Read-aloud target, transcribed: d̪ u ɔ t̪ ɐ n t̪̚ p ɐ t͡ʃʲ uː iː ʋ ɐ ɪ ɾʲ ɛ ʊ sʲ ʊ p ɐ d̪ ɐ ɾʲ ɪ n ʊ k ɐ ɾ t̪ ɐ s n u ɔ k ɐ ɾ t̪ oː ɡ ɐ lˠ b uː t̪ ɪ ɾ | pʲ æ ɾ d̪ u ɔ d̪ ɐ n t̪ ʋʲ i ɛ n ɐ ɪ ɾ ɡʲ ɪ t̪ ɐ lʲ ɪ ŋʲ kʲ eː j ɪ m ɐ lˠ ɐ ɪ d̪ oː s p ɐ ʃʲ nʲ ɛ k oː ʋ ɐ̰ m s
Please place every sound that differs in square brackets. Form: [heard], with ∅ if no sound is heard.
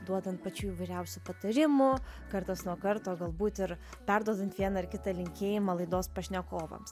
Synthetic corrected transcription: d̪ u ɔ [d̪] ɐ n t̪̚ p ɐ t͡ʃʲ uː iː ʋ ɐ ɪ ɾʲ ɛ ʊ sʲ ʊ p ɐ [t̪] ɐ ɾʲ ɪ [m] ʊ k ɐ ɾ t̪ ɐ s n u ɔ k ɐ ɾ t̪ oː ɡ ɐ lˠ b uː t̪ ɪ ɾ | pʲ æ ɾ d̪ u ɔ d̪ ɐ n t̪ ʋʲ i ɛ n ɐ ɪ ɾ [kʲ] ɪ t̪ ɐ lʲ ɪ ŋʲ kʲ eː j ɪ m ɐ lˠ ɐ ɪ d̪ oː s p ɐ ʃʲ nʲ ɛ k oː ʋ ɐ̰ m s